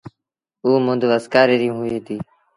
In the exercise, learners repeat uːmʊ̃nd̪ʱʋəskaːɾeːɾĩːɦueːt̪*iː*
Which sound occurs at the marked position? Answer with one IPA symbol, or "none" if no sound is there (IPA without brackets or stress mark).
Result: iː